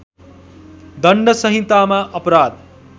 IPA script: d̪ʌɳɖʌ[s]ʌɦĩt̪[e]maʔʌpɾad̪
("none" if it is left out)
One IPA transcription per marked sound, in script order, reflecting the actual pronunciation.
s, a

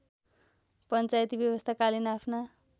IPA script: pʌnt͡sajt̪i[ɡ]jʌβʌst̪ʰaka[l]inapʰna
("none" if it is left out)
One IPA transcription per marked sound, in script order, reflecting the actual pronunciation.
b, l

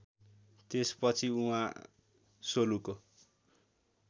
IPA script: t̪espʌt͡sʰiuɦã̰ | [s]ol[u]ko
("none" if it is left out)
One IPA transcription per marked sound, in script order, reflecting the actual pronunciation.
s, u

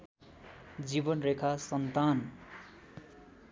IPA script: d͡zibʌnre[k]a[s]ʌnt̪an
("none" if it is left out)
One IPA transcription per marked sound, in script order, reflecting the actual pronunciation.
kʰ, s

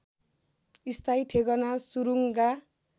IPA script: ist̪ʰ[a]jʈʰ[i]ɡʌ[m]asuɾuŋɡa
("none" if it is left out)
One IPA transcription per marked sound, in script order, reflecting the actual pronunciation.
a, e, n

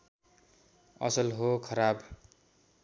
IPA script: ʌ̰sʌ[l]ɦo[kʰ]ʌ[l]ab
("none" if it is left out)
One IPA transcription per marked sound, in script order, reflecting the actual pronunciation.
l, kʰ, ɾ

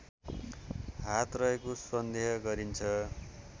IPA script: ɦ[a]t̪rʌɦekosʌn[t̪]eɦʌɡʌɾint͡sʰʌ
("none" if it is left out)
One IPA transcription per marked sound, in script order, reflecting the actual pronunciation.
a, d̪

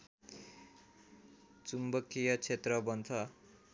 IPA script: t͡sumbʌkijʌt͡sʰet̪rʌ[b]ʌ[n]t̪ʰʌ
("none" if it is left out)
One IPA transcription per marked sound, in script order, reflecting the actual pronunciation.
b, n

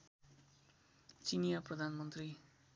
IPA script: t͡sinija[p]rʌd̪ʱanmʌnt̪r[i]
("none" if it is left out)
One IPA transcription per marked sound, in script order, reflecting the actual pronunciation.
p, i

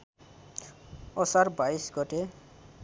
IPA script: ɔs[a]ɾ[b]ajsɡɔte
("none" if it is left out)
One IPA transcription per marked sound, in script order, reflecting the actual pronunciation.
a, b

